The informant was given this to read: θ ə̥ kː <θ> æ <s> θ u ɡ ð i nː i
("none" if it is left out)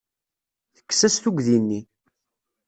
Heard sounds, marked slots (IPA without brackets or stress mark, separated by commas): s, s